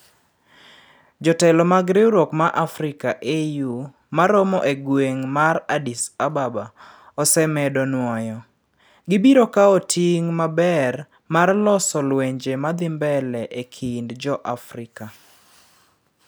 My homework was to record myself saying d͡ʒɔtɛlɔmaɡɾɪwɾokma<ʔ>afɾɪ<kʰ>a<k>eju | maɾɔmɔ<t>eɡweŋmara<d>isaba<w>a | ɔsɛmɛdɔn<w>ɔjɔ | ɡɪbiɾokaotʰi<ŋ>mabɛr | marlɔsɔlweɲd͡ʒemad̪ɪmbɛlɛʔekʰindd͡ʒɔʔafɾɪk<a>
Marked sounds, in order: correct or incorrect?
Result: correct, incorrect: k, incorrect: ʔ, incorrect: ʔ, correct, incorrect: b, correct, correct, correct

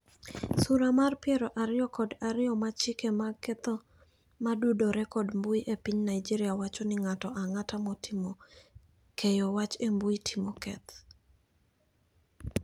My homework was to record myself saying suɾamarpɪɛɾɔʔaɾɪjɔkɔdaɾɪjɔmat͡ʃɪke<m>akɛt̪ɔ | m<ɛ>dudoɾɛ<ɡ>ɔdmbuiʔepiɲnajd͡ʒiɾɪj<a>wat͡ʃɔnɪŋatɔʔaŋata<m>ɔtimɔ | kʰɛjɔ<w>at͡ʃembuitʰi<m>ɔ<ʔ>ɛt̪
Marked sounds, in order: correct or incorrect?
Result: correct, incorrect: a, incorrect: k, correct, correct, correct, correct, incorrect: k

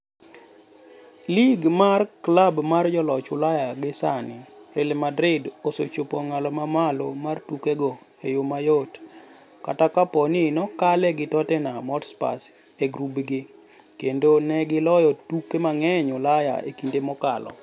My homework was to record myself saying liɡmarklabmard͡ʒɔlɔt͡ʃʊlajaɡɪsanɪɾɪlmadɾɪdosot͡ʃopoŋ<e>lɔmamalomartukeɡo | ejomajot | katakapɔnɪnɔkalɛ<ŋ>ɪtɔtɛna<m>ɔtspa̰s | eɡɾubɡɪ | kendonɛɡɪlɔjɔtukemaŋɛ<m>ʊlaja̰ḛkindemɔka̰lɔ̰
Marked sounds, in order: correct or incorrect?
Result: incorrect: a, incorrect: ɡ, correct, incorrect: ɲ

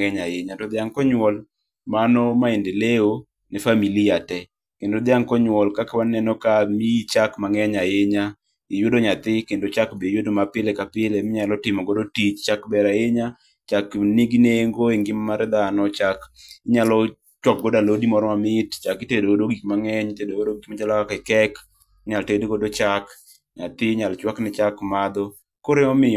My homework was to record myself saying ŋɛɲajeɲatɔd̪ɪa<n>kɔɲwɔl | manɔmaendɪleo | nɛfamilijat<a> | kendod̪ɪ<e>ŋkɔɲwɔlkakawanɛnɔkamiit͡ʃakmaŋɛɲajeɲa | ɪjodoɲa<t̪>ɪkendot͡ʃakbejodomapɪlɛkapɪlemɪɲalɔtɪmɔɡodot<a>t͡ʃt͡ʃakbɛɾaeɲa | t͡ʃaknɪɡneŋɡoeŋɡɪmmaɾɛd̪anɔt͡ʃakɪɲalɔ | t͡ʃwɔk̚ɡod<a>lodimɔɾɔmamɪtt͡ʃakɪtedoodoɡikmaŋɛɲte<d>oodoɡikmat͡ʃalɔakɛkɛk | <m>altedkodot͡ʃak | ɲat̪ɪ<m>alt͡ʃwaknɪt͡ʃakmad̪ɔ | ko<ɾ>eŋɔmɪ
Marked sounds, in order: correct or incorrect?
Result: incorrect: ŋ, incorrect: ɛ, incorrect: a, correct, incorrect: i, correct, correct, incorrect: ɲ, incorrect: ɲ, correct

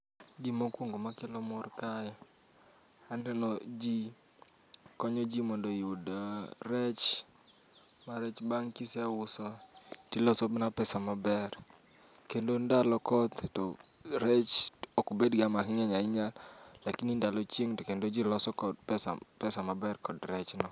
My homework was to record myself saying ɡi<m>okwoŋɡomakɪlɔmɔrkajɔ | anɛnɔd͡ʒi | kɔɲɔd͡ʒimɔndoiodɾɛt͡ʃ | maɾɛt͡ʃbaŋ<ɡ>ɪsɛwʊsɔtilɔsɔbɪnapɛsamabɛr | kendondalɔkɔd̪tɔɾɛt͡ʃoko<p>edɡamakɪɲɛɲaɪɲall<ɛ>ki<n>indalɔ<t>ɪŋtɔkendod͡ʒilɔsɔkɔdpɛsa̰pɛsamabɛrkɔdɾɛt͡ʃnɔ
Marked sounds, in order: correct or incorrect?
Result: correct, incorrect: k, incorrect: b, incorrect: a, correct, incorrect: t͡ʃ

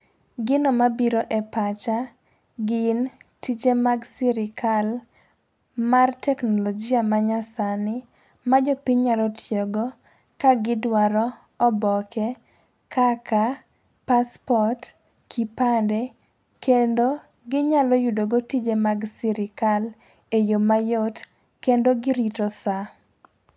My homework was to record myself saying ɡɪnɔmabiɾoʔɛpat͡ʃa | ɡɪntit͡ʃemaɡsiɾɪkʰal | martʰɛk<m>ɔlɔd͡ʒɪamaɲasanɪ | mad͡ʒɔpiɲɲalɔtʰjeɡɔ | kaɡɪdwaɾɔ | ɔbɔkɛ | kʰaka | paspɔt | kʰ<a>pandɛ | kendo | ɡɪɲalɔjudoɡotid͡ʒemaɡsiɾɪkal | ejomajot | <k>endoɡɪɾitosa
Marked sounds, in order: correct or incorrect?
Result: incorrect: n, incorrect: i, correct

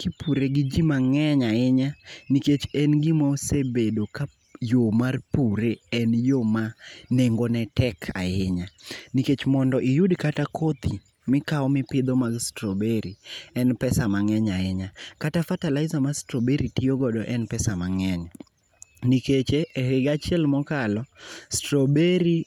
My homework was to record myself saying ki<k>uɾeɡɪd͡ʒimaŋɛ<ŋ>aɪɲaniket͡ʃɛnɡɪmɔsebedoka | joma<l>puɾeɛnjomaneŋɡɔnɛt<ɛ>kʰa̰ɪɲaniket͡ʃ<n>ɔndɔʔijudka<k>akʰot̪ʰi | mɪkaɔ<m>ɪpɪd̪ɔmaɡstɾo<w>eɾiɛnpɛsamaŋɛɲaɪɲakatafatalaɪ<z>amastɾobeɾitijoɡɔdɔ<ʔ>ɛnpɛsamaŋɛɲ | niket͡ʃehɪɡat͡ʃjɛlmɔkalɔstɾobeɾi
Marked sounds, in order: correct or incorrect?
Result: incorrect: p, incorrect: ɲ, incorrect: r, correct, incorrect: m, incorrect: t, correct, incorrect: b, correct, correct

